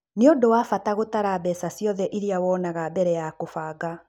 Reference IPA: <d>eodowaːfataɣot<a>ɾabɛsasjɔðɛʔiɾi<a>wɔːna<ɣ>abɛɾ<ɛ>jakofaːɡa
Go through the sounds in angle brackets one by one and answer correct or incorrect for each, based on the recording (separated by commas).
incorrect, correct, correct, correct, correct